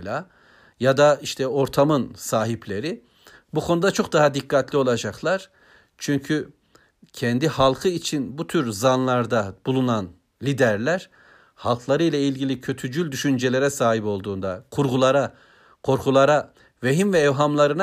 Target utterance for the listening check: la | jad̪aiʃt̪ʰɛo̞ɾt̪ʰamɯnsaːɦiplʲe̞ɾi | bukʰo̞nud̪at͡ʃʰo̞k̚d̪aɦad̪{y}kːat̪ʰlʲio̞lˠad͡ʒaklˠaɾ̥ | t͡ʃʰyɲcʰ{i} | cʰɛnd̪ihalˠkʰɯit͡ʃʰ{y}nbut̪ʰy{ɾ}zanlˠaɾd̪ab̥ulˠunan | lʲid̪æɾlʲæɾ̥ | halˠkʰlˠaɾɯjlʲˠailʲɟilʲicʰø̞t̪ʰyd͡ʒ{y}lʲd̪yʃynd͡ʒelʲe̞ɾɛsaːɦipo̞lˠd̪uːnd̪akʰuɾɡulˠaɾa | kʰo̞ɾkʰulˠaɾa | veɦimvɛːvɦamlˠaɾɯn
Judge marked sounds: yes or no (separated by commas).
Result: no, no, no, yes, yes